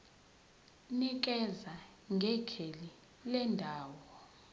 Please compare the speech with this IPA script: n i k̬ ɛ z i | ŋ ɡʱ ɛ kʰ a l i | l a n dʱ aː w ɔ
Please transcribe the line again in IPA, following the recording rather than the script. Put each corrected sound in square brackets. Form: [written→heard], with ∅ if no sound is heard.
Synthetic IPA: n i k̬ ɛ z [i→a] | ŋ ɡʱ ɛ kʰ [a→e] l i | l [a→ɛ] n dʱ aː w ɔ